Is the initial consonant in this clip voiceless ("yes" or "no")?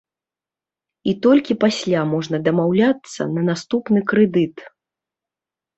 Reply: yes